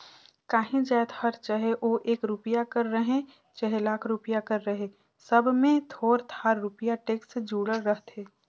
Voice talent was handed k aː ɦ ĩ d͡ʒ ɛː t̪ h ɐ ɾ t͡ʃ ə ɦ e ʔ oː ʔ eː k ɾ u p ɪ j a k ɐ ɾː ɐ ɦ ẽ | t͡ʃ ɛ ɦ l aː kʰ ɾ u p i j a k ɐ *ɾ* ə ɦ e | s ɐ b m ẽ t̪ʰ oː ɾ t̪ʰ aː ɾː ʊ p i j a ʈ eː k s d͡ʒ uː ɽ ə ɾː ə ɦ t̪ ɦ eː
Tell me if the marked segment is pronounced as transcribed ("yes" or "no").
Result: no